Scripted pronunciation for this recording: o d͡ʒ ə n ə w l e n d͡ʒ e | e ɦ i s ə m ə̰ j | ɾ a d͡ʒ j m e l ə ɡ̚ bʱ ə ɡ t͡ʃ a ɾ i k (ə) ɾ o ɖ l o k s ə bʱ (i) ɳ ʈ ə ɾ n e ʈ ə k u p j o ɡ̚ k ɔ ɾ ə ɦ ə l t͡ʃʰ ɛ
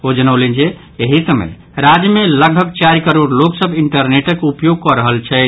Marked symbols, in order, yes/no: yes, yes

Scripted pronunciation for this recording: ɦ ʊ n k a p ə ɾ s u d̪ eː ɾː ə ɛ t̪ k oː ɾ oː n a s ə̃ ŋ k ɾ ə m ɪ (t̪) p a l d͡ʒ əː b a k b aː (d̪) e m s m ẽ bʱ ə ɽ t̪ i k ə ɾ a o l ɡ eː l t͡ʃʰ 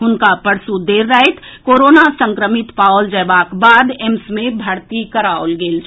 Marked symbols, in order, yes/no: yes, yes

